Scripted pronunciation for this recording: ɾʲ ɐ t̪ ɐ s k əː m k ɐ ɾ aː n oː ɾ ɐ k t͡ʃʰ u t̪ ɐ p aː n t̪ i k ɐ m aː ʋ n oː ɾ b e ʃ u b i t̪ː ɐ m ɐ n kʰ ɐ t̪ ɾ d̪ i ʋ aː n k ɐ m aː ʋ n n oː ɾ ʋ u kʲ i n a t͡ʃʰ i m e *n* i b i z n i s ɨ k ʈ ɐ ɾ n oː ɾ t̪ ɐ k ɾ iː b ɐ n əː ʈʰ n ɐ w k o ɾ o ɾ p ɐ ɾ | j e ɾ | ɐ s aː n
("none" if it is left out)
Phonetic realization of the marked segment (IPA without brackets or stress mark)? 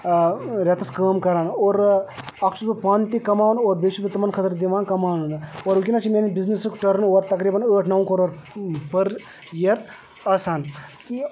n